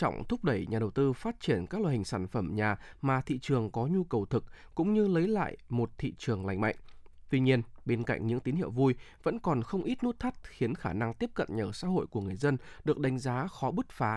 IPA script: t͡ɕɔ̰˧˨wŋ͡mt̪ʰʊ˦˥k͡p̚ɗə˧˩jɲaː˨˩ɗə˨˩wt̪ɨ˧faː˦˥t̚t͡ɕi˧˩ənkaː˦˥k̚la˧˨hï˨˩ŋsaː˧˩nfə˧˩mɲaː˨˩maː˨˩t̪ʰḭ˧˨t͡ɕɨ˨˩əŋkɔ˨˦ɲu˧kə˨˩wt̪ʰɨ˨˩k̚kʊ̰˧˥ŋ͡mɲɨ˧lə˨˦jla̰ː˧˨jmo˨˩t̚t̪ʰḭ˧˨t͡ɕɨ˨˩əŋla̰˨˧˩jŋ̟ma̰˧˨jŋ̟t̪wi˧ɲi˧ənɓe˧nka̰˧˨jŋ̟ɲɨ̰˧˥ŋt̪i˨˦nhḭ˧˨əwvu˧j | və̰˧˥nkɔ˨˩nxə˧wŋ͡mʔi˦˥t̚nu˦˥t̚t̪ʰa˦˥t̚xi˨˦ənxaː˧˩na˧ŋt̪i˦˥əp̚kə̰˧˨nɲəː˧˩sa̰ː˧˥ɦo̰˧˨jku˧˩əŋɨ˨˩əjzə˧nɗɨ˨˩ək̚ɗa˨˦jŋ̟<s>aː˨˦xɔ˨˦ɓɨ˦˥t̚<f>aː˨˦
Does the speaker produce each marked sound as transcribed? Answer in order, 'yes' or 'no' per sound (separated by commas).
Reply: no, yes